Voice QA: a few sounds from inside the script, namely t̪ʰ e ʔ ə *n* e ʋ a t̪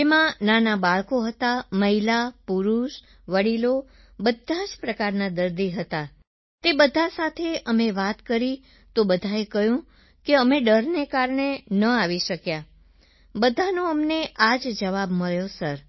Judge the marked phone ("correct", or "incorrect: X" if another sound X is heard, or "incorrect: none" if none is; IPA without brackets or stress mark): incorrect: m